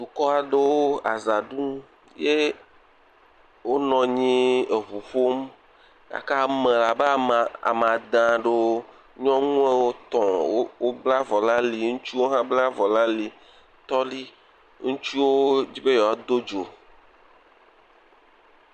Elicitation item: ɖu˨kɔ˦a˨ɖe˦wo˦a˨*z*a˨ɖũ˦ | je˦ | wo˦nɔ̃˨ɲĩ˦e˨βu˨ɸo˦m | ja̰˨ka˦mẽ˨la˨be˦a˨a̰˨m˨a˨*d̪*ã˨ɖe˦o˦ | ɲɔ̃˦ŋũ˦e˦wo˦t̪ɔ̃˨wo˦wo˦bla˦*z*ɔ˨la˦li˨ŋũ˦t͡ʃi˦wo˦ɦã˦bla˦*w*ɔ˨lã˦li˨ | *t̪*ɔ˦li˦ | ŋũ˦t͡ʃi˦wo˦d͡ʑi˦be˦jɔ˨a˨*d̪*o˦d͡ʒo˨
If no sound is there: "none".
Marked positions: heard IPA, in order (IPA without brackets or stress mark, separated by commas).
z, d̪, v, v, t̪, d̪